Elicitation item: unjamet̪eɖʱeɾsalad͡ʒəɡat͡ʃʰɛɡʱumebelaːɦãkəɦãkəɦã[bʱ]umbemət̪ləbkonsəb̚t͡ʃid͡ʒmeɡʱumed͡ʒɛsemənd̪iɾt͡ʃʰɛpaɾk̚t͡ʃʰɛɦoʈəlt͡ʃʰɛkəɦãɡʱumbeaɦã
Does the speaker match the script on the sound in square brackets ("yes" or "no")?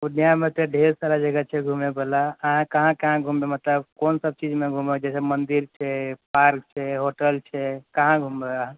no